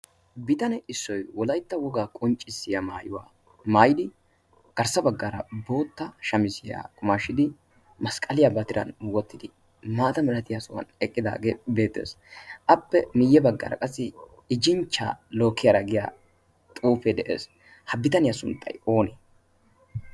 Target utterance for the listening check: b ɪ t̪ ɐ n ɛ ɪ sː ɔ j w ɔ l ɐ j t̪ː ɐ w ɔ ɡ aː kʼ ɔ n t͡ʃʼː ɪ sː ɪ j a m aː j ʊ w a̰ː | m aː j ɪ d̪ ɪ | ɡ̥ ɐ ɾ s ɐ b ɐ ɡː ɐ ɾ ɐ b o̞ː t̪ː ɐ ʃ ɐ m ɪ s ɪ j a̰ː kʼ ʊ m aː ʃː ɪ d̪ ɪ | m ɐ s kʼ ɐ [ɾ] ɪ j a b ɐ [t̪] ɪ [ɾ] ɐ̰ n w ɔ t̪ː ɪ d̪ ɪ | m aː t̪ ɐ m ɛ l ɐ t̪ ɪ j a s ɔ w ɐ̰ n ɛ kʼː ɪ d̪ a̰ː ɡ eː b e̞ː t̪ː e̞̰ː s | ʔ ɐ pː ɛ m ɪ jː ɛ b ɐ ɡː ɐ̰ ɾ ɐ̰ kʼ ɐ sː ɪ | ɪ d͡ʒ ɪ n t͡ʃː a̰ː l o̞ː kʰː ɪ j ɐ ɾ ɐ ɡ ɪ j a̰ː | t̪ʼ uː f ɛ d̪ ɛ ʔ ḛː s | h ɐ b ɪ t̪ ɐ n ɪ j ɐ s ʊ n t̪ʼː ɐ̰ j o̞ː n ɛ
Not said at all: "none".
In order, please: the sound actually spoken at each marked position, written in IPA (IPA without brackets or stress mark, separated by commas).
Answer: l, t̪, ɾ